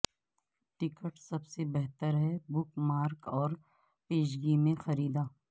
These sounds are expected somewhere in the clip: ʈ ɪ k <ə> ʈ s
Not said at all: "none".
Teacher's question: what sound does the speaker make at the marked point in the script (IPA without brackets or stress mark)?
ə